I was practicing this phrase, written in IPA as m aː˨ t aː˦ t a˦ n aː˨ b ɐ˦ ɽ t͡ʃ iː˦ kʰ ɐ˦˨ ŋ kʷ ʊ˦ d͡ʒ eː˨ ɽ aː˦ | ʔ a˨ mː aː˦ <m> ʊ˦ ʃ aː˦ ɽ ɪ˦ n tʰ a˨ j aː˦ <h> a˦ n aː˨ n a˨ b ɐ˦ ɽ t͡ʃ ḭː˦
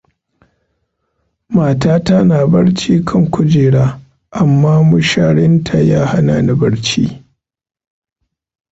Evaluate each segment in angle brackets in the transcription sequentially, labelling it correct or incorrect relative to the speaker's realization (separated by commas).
correct, correct